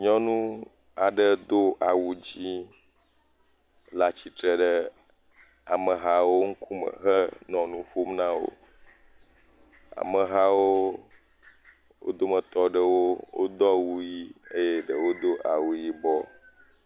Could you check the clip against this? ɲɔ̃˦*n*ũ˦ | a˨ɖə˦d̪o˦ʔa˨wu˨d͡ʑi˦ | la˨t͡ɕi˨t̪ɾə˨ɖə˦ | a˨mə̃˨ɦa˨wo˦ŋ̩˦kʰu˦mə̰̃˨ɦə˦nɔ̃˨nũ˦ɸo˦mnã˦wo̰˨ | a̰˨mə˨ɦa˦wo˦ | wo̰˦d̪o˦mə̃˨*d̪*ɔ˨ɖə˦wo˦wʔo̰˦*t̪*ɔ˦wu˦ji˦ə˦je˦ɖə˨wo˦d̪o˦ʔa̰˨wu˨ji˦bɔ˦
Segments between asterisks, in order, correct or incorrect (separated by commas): correct, incorrect, incorrect